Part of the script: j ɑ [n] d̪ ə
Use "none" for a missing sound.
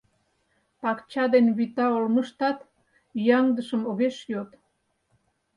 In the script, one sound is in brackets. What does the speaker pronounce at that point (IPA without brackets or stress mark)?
ŋ